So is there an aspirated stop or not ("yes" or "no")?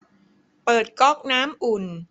no